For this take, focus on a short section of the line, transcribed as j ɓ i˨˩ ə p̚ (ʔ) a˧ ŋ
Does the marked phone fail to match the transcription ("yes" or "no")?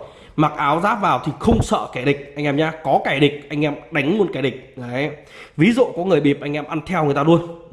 no